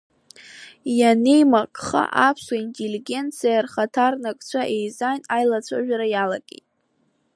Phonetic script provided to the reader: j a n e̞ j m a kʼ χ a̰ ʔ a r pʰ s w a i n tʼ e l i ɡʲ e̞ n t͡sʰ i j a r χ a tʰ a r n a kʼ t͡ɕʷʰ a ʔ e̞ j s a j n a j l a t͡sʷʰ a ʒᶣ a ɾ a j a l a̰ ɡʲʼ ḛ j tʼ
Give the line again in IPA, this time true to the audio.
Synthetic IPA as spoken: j a n e̞ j m a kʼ χ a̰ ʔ a pʰ s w a i n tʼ e l i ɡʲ e̞ n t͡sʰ i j a r χ a tʰ a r n a kʼ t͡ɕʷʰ a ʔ e̞ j z a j n a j l a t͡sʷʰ a ʒᶣ a ɾ a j a l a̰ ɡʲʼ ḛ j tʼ